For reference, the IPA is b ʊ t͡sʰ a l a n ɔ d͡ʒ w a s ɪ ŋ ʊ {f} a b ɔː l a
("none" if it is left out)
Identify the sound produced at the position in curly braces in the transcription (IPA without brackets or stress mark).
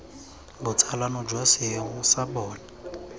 s